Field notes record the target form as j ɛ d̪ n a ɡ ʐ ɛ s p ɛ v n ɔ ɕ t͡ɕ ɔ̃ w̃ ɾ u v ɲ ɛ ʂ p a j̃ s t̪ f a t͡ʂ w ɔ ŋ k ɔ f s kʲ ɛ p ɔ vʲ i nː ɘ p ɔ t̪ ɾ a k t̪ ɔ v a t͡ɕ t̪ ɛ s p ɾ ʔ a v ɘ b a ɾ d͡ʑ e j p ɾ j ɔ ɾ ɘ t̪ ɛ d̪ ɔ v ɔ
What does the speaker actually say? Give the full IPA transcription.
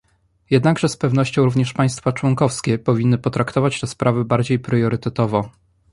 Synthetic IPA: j ɛ d̪ n a ɡ ʐ ɛ s p ɛ v n ɔ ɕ t͡ɕ ɔ̃ w̃ ɾ u v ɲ ɛ ʂ p a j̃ s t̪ f a t͡ʂ w ɔ ŋ k ɔ f s kʲ ɛ p ɔ vʲ i nː ɘ p ɔ t̪ ɾ a k t̪ ɔ v a t͡ɕ t̪ ɛ s p ɾ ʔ a v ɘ b a ɾ d͡ʑ e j p ɾ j ɔ ɾ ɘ t̪ ɛ t̪ ɔ v ɔ